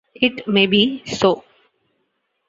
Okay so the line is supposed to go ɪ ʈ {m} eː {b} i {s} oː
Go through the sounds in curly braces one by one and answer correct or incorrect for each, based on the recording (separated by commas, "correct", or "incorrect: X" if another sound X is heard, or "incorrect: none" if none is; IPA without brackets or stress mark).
correct, correct, correct